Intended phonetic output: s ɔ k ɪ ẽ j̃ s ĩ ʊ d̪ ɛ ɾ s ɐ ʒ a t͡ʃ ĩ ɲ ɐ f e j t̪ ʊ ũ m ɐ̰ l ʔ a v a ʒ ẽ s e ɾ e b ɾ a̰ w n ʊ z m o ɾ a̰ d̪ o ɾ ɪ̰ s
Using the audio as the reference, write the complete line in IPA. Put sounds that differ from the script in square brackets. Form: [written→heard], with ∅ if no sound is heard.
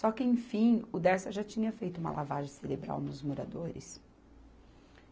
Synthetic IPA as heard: s ɔ k ɪ ẽ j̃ [s→f] ĩ ʊ d̪ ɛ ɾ s ɐ ʒ a t͡ʃ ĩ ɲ ɐ f e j t̪ ʊ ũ m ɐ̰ l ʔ a v a ʒ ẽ s e ɾ e b ɾ a̰ w n ʊ z m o ɾ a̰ d̪ o ɾ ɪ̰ s

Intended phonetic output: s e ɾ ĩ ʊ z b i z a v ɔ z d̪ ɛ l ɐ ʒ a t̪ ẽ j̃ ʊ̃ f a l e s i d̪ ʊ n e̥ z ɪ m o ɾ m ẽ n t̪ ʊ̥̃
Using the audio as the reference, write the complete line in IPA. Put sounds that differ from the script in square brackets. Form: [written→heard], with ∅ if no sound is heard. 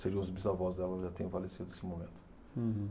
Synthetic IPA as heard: s e ɾ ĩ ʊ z b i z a v ɔ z d̪ ɛ l ɐ ʒ a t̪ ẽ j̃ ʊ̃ f a l e s i d̪ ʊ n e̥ [z→s] ɪ m o [ɾ→∅] m ẽ n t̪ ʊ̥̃

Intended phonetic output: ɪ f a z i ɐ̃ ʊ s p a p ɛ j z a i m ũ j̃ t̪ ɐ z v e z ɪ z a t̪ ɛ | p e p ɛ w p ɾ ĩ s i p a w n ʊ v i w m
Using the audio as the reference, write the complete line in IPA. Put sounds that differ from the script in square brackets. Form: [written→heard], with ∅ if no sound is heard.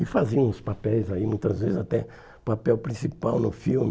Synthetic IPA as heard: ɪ f a z i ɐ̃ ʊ s p a p ɛ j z a i m ũ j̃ t̪ ɐ z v e z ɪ z a t̪ ɛ | p [e→a] p ɛ w p ɾ ĩ s i p a w n ʊ [v→f] i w m

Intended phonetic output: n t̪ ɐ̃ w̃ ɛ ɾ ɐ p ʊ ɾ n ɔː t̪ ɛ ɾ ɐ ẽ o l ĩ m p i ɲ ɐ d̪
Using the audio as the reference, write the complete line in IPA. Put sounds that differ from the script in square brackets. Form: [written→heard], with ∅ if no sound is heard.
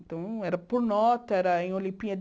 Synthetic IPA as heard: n t̪ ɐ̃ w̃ ɛ ɾ ɐ p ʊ ɾ n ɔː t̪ ɛ ɾ ɐ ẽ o l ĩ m p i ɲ ɐ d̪

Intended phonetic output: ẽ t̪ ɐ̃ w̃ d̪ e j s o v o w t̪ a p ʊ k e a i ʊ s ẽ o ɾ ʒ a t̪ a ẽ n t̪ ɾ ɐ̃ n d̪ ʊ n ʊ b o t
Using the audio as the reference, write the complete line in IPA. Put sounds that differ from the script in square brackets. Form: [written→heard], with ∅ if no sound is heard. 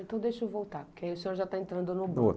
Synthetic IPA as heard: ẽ t̪ ɐ̃ w̃ d̪ e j [s→ʃ] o v o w t̪ a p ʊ k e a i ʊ s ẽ o ɾ ʒ a t̪ a ẽ n t̪ ɾ ɐ̃ n d̪ ʊ n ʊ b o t

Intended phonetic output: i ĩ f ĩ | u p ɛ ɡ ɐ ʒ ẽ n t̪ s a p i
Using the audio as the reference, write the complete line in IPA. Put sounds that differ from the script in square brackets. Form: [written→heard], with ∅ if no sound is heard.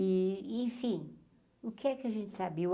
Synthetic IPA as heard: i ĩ f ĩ | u [p→k] ɛ [ɡ→k] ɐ ʒ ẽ n t̪ s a [p→b] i

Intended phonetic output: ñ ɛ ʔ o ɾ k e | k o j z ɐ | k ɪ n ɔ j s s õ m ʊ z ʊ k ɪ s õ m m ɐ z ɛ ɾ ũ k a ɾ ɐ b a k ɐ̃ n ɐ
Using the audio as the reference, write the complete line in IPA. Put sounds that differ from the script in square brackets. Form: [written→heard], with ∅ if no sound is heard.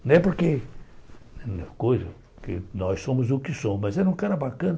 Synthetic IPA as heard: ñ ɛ [ʔ→p] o ɾ k e | k o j z ɐ | k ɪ n ɔ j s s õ m ʊ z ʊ k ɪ s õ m m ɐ z ɛ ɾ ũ k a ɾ ɐ b a k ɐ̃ n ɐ

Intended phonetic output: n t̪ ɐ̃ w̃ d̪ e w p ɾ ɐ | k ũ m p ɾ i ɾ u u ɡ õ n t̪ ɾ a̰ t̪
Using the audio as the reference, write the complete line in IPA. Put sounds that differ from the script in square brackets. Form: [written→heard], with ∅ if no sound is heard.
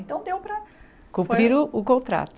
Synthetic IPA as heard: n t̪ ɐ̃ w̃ d̪ e w p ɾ ɐ | k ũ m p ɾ i ɾ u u [ɡ→k] õ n t̪ ɾ a̰ t̪

